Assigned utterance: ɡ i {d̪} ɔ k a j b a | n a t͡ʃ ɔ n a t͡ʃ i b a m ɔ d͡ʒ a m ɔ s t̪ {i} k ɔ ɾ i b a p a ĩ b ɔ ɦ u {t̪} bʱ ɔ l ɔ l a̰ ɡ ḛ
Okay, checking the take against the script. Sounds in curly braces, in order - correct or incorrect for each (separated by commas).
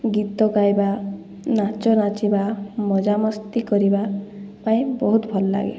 incorrect, correct, correct